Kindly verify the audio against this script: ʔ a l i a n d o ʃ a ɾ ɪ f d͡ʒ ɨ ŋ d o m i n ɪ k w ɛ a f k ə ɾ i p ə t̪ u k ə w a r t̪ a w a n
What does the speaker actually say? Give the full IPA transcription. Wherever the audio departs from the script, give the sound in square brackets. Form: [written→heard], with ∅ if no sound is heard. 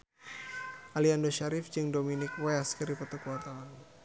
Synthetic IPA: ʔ a l i a n d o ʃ a ɾ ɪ f d͡ʒ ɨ ŋ d o m i n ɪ k w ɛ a [f→s] k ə ɾ i p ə t̪ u k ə w a r t̪ a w a n